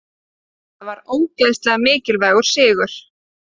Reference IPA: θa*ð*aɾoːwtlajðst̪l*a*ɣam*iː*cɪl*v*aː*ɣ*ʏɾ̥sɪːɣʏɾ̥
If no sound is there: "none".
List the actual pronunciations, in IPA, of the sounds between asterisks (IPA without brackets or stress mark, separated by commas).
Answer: v, ɛ, ɪː, v, ɣ